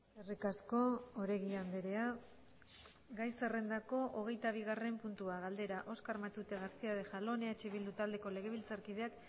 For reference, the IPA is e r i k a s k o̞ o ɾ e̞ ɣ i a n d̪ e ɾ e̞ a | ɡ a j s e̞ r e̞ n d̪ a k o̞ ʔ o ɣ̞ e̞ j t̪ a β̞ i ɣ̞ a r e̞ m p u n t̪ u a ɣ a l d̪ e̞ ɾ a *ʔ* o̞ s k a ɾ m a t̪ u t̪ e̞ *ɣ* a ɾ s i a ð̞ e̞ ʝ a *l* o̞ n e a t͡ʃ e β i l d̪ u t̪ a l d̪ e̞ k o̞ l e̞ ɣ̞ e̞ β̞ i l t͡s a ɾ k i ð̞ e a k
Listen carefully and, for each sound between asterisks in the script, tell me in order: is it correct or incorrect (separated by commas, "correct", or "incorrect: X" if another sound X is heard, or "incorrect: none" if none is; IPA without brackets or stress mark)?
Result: correct, correct, correct